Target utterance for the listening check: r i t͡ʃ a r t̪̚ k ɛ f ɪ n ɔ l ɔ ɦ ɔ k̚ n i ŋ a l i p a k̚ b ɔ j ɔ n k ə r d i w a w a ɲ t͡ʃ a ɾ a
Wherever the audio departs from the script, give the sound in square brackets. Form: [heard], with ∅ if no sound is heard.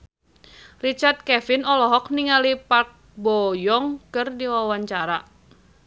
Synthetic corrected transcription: r i t͡ʃ a r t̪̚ k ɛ f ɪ n ɔ l ɔ ɦ ɔ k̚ n i ŋ a l i p a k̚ b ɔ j ɔ [ŋ] k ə r d i w a w a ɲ t͡ʃ a ɾ a